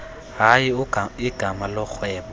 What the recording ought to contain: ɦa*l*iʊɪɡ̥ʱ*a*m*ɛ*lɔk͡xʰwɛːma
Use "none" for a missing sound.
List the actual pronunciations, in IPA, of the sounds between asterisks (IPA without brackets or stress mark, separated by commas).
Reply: none, a, a